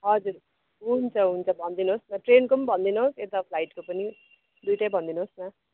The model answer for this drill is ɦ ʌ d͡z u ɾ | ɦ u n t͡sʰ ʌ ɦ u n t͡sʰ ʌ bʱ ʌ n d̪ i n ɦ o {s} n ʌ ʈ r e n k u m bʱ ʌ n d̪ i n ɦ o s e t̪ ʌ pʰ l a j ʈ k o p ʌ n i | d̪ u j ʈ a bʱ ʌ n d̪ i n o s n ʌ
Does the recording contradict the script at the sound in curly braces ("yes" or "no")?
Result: no